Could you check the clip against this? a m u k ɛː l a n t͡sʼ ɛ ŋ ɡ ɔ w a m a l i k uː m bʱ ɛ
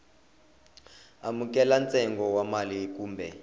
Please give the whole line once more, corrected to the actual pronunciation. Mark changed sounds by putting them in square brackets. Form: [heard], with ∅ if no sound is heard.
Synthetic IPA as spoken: a m u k [ɛ] l a n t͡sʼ ɛ ŋ ɡ ɔ w a m a l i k uː m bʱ ɛ